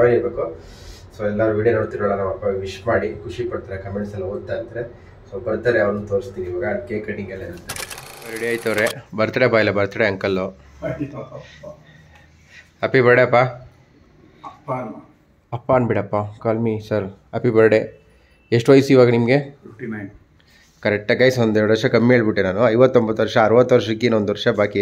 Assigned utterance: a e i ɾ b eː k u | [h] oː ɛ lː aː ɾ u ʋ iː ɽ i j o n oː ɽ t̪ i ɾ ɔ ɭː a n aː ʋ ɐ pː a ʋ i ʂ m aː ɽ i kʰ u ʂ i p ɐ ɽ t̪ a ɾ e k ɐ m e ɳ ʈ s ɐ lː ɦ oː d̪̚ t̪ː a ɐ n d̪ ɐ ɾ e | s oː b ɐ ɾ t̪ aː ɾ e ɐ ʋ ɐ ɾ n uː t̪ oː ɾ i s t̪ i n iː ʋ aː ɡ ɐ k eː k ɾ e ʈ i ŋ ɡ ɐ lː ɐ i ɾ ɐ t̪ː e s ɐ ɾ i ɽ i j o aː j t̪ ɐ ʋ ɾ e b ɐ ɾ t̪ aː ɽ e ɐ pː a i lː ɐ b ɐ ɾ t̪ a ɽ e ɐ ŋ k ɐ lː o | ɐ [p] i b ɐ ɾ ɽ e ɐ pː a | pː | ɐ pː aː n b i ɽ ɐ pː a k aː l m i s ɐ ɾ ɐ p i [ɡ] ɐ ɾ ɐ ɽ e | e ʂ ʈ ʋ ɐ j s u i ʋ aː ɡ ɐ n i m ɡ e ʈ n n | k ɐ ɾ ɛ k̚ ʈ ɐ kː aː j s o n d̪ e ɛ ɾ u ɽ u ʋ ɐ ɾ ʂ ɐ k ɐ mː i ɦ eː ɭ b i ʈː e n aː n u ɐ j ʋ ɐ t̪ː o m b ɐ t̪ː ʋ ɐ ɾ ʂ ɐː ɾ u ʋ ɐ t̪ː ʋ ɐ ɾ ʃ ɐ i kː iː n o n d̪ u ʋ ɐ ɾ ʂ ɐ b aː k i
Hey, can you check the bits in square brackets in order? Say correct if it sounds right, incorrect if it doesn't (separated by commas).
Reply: incorrect, correct, incorrect